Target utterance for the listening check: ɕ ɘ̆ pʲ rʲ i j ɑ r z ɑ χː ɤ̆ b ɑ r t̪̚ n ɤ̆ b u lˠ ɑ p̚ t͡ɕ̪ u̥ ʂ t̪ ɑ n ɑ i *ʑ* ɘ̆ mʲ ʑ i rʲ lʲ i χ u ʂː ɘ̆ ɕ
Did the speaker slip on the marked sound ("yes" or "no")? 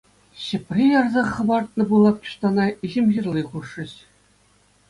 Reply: no